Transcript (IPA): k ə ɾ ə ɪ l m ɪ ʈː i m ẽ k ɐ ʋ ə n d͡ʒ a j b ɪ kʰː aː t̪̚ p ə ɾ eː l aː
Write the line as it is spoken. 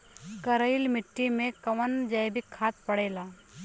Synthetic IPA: k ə ɾ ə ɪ l m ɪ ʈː i m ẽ k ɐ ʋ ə n d͡ʒ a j b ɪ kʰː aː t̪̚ p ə ɽ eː l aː

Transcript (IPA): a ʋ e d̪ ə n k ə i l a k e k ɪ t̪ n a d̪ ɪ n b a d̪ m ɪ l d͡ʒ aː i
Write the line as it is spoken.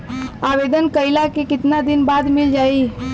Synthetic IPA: a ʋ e d̪ ə n k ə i l a k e k ɪ t̪ n a d̪ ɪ n b a d̪ m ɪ l d͡ʒ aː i

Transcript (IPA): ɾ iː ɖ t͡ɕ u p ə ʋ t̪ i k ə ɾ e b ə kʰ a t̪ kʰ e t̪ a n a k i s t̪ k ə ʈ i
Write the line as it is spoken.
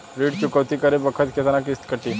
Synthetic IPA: ɾ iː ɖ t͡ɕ u k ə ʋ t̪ i k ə ɾ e b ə kʰ ə t̪ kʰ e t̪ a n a k i s t̪ k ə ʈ i

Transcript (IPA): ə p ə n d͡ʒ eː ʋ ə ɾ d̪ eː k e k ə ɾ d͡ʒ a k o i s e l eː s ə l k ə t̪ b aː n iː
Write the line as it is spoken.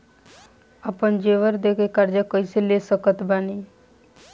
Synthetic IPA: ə p ə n d͡ʒ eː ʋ ə ɾ d̪ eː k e k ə ɾ d͡ʒ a k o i s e l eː s ə k ə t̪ b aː n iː

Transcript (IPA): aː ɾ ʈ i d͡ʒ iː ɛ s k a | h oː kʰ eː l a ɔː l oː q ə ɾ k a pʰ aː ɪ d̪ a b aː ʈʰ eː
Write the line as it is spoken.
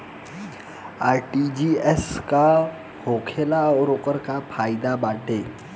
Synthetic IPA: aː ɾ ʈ i d͡ʒ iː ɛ s k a | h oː kʰ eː l a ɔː ɾ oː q ə ɾ k a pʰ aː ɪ d̪ a b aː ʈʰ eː

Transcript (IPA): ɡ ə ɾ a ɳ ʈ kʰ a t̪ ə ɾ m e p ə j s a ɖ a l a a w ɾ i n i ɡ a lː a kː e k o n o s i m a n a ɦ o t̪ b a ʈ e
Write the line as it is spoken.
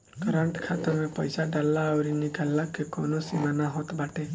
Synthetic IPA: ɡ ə ɾ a ɳ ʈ kʰ a t̪ ə ɾ m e p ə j s a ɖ a l a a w ɾ i n i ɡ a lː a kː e k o n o s i m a n a ɦ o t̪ b a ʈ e

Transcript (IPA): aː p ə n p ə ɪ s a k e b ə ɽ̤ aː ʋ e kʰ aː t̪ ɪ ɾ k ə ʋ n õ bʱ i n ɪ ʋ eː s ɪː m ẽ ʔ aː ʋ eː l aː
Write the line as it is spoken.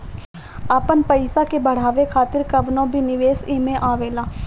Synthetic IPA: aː p ə n p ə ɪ s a k e b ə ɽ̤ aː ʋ e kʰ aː t̪ ɪ ɾ k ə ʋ n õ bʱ i n ɪ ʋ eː s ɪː m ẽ ʔ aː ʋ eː l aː

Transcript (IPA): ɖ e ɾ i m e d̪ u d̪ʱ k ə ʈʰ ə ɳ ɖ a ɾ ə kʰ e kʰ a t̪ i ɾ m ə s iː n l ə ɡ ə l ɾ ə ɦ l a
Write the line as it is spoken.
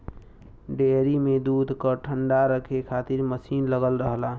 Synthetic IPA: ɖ e ɾ i m e d̪ u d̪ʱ k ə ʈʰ ə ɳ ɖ a ɾ ə kʰ e kʰ a t̪ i ɾ m ə s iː n l ə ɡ ə l ɾ ə ɦ l a

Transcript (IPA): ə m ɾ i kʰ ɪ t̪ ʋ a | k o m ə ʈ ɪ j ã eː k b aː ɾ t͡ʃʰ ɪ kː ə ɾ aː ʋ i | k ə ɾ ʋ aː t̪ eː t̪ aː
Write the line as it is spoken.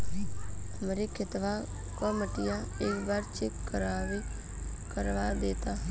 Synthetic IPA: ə m ɾ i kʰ ɪ t̪ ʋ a | k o m ə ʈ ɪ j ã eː k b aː ɾ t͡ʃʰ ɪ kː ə ɾ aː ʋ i | k ə ɾ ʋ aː d̪ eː t̪ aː

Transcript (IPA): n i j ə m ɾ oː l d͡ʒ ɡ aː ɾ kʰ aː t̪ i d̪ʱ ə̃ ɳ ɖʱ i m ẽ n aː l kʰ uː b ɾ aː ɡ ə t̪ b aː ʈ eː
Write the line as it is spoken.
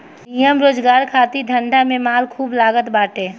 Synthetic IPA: n i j ə m ɾ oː d͡ʒ ɡ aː ɾ kʰ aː t̪ i d̪ʱ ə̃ ɳ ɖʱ a m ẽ m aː l kʰ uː b l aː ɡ ə t̪ b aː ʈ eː

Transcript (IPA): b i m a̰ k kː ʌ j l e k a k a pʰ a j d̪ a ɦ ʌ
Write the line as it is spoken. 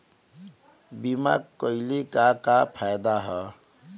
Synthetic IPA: b i m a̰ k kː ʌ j l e k a k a pʰ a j d̪ a ɦ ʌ

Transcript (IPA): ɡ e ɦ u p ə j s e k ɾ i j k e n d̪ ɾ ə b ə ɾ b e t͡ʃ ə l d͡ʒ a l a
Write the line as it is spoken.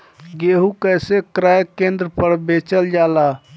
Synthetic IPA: ɡ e ɦ u k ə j s e k ɾ a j k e n d̪ ɾ ə p ə ɾ b e t͡ʃ ə l d͡ʒ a l a

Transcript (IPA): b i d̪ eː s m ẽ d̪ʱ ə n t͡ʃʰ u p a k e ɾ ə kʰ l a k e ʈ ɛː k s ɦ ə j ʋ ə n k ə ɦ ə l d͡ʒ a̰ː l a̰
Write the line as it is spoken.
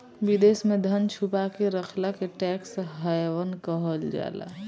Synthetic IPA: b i d̪ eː s m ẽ d̪ʱ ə n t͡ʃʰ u p a k e ɾ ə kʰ l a k e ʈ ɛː k s ɦ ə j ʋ ə n k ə ɦ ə l d͡ʒ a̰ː l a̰

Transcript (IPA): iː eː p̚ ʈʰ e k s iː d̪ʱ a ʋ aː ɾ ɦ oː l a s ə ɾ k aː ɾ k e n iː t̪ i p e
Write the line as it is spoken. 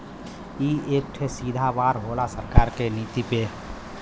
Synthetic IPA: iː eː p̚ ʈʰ e s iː d̪ʱ a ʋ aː ɾ ɦ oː l a s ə ɾ k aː ɾ k e n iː t̪ i p e

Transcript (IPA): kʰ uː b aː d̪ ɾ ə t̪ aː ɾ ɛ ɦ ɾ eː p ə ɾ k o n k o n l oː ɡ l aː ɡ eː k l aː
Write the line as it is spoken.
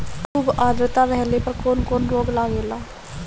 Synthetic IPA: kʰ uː b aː d̪ ɾ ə t̪ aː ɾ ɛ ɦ l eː p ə ɾ k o n k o n ɾ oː ɡ l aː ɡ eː l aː

